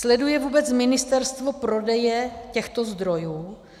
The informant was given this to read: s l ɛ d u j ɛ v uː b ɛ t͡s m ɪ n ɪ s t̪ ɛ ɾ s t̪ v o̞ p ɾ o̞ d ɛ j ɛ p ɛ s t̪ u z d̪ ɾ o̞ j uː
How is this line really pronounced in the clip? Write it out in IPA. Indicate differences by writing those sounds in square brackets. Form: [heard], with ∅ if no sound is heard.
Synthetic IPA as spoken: s l ɛ d u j ɛ v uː b ɛ t͡s m ɪ n ɪ s t̪ ɛ ɾ s t̪ v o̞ p ɾ o̞ d ɛ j ɛ [c] ɛ [x] t̪ [o] z d̪ ɾ o̞ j uː